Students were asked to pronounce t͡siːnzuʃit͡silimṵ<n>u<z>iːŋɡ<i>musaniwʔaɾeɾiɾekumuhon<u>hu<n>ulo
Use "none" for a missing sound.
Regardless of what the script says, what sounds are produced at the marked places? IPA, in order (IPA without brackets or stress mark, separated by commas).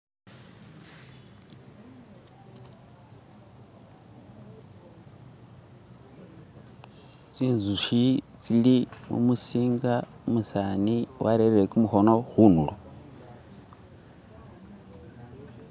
m, s, a, o, n